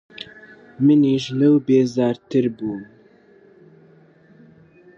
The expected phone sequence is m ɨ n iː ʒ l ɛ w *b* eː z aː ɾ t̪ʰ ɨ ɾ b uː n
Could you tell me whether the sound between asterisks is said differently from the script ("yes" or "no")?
no